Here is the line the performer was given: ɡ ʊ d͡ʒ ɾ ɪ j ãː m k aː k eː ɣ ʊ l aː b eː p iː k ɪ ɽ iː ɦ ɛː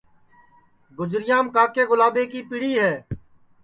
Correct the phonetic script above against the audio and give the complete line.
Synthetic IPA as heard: ɡ ʊ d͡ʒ ɾ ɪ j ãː m k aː k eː ɣ ʊ l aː b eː k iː p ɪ ɽ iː ɦ ɛː